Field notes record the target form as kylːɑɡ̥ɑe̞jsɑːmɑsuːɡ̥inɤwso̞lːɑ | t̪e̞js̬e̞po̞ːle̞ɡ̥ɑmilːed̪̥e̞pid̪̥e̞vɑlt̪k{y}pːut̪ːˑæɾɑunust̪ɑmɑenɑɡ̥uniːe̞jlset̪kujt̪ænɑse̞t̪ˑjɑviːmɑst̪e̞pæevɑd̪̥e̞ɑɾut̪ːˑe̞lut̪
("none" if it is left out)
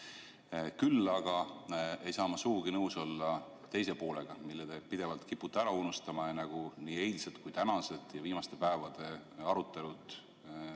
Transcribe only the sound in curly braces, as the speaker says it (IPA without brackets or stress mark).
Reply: i